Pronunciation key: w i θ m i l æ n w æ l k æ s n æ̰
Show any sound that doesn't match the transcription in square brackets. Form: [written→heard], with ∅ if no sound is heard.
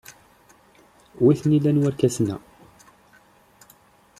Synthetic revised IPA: w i θ [m→n] i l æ n w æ [l→ɾ] k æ s n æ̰